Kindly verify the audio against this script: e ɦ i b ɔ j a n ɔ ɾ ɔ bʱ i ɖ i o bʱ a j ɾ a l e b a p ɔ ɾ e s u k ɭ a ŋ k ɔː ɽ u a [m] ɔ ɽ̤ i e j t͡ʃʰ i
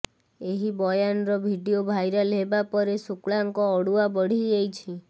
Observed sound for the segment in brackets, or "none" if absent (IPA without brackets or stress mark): b